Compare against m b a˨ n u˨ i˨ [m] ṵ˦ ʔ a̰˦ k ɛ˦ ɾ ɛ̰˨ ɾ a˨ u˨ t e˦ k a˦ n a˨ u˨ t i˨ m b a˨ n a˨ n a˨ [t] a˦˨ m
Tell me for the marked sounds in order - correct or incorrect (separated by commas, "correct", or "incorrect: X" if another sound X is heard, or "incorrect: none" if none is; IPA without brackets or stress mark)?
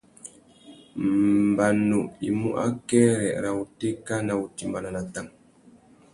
correct, correct